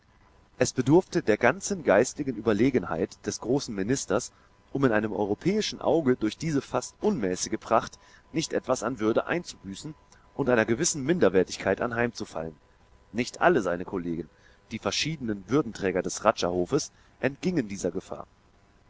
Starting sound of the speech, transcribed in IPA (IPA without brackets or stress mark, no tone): ʔ